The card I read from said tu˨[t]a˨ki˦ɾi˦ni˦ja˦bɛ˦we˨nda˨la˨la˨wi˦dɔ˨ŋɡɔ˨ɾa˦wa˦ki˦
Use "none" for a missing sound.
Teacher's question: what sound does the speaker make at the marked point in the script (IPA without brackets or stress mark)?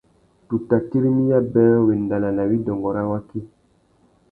t